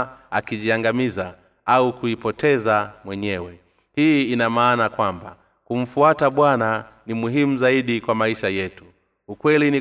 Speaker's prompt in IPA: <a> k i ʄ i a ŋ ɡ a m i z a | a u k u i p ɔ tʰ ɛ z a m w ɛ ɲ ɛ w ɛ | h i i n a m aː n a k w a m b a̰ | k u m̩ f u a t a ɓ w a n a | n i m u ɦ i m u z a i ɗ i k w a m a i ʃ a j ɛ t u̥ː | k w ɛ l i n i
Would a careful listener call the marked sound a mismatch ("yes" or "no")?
no